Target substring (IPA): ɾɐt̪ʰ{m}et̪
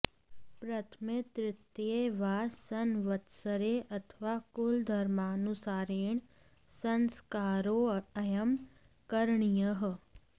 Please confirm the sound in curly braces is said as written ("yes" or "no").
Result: yes